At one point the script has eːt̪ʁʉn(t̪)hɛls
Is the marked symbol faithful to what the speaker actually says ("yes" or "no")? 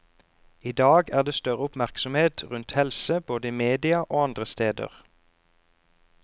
yes